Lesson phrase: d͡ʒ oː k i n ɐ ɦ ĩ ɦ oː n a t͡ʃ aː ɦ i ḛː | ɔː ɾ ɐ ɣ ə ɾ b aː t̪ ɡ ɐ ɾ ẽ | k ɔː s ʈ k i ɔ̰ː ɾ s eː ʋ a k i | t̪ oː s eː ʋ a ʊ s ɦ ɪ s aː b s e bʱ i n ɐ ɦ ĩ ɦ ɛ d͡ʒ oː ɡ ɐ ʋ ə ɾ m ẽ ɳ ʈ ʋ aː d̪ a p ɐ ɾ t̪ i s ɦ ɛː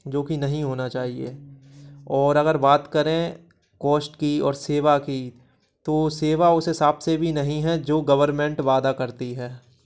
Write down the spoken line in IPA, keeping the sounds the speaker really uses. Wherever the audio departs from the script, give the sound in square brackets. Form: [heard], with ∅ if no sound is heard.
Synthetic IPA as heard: d͡ʒ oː k i n ɐ ɦ ĩ ɦ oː n a t͡ʃ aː ɦ i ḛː | ɔː ɾ ɐ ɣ ə ɾ b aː t̪ [k] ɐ ɾ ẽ | k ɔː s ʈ k i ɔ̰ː ɾ s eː ʋ a k i | t̪ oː s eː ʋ a ʊ s ɦ ɪ s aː b s e bʱ i n ɐ ɦ ĩ ɦ ɛ d͡ʒ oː ɡ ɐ ʋ ə ɾ m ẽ ɳ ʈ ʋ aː d̪ a [k] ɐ ɾ t̪ i [∅] ɦ ɛː